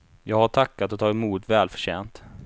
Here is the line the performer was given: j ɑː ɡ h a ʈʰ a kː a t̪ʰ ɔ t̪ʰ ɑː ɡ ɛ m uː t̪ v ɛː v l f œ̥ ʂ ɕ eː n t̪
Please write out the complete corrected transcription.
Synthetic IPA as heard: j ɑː ɡ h a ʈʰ a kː a t̪ ɔ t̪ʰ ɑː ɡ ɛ m uː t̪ v ɛː l f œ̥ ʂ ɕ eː n t̪